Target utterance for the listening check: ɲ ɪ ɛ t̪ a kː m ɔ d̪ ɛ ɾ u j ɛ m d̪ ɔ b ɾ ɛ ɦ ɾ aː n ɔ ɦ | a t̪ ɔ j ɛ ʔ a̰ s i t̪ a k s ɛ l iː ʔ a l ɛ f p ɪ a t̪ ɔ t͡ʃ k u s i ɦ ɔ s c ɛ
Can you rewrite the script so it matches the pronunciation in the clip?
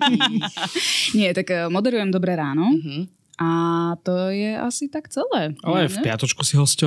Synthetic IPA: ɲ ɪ ɛ t̪ a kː m ɔ d̪ ɛ ɾ u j ɛ m d̪ ɔ b ɾ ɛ ɾ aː n ɔ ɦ | a t̪ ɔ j ɛ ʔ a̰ s i t̪ a k t͡s ɛ l ɛː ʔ a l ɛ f p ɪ a t̪ ɔ t͡ʃ k u s i ɦ ɔ s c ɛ